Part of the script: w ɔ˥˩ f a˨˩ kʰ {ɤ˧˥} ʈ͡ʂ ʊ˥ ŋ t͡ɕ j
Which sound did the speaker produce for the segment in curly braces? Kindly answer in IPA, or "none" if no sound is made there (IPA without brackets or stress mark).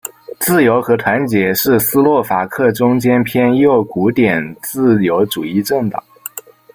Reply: ɤ˥˩